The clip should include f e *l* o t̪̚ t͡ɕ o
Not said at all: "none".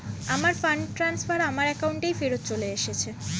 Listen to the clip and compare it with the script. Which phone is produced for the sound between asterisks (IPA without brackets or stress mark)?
ɾ